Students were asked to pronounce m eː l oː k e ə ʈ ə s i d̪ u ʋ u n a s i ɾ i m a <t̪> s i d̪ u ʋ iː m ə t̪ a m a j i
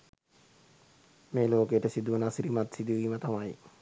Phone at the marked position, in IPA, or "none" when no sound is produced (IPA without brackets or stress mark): t̪